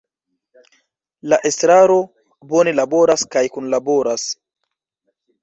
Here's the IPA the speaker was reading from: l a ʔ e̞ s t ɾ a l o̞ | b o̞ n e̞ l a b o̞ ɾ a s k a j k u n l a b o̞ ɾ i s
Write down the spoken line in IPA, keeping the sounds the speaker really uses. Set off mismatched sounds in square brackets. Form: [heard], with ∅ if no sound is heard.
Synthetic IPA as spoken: l a ʔ e̞ s t ɾ a [ɾ] o̞ | b o̞ n e̞ l a b o̞ ɾ a s k a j k u n l a b o̞ ɾ [a] s